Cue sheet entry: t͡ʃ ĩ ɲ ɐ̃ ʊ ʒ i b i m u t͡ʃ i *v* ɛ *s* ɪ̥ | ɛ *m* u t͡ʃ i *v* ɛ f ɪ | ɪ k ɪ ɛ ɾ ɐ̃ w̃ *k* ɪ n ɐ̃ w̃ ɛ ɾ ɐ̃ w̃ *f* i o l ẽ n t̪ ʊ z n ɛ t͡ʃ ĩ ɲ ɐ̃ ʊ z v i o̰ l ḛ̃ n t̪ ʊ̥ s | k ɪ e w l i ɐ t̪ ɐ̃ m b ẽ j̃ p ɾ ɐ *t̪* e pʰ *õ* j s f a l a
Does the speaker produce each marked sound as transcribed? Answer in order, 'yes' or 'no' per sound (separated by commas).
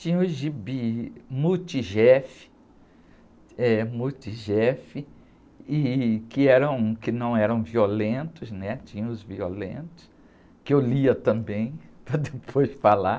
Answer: no, no, yes, no, yes, no, no, no